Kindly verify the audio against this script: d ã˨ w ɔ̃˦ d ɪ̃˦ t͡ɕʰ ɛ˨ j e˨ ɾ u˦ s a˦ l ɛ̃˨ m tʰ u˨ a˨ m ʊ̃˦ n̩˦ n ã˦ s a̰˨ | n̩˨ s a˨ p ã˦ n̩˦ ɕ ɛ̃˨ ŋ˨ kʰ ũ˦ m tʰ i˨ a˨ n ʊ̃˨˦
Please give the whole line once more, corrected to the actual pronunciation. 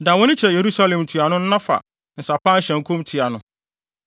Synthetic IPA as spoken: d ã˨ w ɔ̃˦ n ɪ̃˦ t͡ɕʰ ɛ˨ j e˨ ɾ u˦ s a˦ l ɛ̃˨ m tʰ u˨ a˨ n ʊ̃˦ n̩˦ n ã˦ f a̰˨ | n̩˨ s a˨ p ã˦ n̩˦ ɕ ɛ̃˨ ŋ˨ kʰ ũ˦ m tʰ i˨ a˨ n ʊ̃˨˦